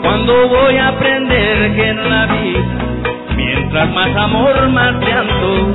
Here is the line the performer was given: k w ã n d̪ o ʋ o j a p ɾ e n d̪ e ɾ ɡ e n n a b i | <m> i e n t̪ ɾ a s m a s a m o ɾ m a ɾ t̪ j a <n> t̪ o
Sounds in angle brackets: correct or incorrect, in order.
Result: correct, correct

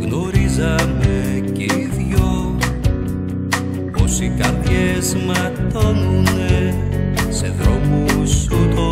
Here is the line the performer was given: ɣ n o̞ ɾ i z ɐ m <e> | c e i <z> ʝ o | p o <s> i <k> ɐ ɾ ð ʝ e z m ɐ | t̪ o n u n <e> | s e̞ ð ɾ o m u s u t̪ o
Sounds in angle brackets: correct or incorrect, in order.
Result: correct, incorrect: ð, correct, correct, correct

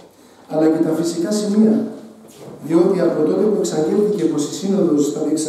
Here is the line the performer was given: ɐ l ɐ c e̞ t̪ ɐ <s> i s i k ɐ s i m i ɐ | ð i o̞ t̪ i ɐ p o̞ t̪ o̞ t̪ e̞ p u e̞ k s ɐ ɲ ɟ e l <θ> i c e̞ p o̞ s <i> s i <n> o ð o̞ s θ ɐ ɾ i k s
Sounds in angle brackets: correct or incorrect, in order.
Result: incorrect: f, correct, correct, correct

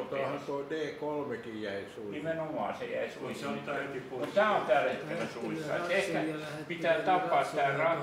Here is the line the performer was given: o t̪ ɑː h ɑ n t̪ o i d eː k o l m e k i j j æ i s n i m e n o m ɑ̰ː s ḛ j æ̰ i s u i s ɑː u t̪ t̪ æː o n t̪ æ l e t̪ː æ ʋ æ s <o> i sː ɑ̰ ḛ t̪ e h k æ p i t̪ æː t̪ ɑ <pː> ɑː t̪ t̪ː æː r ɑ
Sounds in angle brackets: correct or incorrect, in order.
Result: incorrect: u, correct

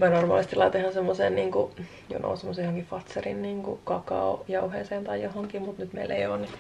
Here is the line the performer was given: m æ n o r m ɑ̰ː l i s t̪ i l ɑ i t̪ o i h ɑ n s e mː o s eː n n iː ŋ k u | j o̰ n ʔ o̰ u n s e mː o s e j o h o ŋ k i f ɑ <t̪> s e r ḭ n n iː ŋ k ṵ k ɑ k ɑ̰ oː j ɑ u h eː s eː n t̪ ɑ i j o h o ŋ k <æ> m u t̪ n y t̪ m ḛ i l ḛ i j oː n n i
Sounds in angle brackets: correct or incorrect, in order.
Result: correct, incorrect: i

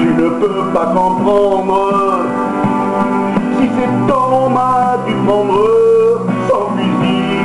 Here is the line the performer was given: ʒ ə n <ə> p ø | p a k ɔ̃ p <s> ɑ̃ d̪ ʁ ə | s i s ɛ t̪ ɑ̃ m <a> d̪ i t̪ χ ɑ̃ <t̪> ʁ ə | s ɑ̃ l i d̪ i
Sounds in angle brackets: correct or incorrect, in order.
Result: correct, incorrect: χ, correct, incorrect: d̪

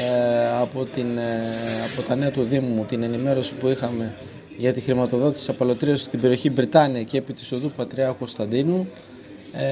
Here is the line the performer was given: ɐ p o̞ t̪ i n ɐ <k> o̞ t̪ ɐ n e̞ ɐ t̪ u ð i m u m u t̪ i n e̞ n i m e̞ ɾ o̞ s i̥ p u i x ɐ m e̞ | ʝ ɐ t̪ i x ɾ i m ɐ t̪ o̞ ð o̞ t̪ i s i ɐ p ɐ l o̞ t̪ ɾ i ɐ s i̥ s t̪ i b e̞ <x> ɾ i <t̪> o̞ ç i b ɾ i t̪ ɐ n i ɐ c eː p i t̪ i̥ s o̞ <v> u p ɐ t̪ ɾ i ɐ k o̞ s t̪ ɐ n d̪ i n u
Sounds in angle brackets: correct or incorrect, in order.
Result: incorrect: p, incorrect: none, incorrect: none, incorrect: ð

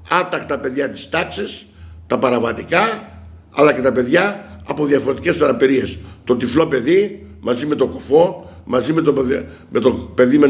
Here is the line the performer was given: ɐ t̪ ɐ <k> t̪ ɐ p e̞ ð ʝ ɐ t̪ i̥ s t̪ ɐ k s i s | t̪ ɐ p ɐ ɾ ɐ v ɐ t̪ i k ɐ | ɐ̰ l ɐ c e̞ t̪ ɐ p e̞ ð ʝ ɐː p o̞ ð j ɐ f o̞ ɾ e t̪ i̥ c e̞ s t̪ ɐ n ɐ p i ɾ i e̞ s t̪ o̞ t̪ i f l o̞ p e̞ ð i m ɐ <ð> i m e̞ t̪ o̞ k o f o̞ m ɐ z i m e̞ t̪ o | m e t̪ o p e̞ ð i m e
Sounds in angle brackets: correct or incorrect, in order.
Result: correct, incorrect: z

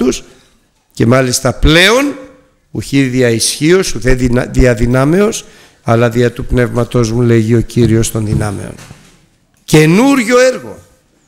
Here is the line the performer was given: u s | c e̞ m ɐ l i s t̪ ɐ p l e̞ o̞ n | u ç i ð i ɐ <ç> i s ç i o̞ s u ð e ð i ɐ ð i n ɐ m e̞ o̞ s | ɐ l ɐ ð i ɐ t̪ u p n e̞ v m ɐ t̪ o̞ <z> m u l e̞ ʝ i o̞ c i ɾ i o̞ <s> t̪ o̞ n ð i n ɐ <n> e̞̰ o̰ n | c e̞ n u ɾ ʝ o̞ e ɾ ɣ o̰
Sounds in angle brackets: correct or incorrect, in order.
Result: incorrect: none, correct, correct, incorrect: m

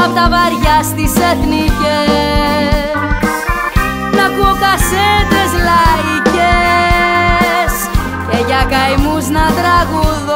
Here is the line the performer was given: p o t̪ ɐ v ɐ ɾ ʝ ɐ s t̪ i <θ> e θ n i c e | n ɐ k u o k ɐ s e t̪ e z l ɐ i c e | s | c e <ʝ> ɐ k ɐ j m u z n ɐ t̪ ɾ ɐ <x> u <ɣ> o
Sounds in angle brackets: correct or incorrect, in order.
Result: incorrect: s, correct, incorrect: ɣ, incorrect: ð

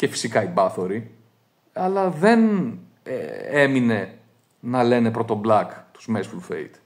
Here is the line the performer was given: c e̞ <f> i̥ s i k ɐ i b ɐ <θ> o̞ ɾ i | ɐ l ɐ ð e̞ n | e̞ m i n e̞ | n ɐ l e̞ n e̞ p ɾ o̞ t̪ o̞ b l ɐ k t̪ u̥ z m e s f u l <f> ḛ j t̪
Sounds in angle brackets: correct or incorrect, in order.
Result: correct, correct, correct

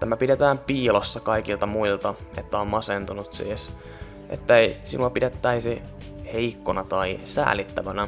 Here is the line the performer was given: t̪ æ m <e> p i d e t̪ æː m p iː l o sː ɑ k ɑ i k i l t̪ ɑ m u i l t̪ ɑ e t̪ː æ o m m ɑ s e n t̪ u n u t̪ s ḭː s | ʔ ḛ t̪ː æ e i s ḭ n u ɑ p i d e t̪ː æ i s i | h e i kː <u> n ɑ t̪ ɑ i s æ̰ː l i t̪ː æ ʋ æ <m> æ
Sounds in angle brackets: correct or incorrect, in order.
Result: incorrect: æ, incorrect: o, incorrect: n

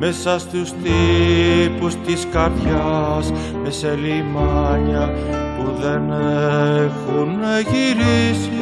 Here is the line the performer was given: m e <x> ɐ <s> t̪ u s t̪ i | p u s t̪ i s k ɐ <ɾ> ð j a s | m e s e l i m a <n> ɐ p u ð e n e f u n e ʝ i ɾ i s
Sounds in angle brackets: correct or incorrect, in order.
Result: incorrect: s, correct, correct, incorrect: ɲ

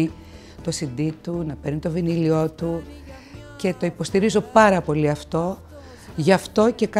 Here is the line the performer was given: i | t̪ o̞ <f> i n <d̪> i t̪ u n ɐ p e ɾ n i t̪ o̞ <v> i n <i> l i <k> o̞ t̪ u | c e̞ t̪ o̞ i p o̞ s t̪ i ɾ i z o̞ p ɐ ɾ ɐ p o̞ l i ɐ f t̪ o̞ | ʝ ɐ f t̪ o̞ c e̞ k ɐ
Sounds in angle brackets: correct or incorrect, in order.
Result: incorrect: s, correct, correct, correct, incorrect: none

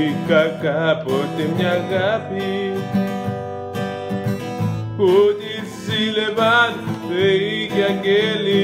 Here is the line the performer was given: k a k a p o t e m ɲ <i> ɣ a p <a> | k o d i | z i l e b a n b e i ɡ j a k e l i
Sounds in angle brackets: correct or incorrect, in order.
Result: incorrect: a, incorrect: i

